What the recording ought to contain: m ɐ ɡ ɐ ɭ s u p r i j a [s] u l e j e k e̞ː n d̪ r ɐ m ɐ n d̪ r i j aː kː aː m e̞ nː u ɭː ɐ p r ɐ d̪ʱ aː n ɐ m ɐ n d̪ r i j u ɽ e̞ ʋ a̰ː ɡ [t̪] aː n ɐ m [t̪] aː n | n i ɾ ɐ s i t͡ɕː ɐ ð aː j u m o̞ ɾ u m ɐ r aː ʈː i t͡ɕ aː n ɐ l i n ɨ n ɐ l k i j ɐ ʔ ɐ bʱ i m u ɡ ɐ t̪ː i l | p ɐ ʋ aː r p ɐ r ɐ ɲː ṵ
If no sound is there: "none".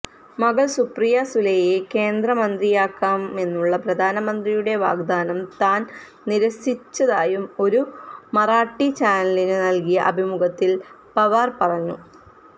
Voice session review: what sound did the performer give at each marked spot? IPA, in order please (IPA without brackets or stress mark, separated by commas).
s, d̪, t̪